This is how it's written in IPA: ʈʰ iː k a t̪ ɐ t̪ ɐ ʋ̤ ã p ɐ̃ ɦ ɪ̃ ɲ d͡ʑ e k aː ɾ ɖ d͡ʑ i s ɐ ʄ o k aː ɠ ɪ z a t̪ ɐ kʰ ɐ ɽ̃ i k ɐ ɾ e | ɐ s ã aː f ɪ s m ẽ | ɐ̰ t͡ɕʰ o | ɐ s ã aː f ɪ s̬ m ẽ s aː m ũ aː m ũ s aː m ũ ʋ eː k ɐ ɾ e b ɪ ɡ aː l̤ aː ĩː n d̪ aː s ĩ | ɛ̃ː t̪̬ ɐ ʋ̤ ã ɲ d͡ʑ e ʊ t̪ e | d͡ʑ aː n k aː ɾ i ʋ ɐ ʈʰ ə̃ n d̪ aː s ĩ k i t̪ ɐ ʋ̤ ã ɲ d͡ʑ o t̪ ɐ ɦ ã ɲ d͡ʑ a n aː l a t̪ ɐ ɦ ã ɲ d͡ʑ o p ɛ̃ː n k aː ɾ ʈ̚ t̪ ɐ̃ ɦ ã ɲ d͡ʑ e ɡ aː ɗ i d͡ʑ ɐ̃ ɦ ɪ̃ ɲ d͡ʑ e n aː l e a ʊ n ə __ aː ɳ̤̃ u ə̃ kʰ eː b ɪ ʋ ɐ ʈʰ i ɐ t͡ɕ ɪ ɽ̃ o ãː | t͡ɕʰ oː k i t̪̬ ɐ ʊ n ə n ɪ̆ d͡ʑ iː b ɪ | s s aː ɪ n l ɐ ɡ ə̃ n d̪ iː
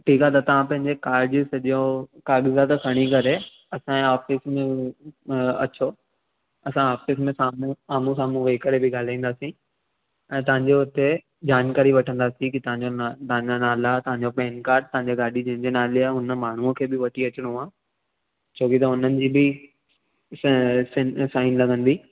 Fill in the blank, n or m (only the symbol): m